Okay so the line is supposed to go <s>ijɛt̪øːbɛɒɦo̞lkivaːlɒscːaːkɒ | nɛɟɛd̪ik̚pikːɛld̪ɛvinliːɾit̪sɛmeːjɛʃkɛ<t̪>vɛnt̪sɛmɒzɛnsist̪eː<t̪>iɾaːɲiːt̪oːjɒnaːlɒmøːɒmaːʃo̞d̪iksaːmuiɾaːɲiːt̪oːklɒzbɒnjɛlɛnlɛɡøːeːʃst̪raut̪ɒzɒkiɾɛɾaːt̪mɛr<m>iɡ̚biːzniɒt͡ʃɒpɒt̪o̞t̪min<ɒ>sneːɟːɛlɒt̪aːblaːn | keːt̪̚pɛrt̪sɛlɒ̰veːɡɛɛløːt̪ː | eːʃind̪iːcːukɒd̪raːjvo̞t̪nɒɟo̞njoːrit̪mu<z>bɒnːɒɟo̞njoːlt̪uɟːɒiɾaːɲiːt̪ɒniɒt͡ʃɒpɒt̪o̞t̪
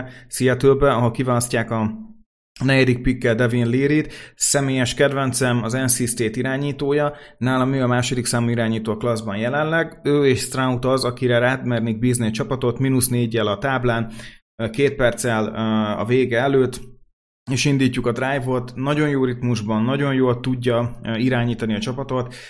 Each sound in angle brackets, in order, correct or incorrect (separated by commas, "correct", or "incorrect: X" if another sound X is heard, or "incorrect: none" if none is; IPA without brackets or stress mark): correct, incorrect: d̪, correct, incorrect: n, incorrect: u, incorrect: ʒ